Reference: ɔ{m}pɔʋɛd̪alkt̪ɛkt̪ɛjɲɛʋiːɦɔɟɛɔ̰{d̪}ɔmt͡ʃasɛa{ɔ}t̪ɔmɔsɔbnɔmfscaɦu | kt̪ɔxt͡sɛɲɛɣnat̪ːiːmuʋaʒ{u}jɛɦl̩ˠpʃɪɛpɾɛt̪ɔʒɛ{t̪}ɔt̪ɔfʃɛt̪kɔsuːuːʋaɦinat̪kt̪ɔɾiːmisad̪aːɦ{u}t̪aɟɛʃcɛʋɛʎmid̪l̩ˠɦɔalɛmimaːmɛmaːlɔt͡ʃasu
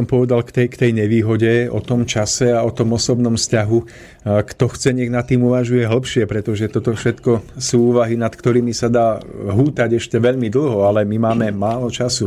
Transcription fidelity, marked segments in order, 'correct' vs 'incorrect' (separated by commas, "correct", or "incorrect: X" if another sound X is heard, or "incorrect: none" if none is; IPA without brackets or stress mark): correct, incorrect: t̪, correct, correct, correct, incorrect: uː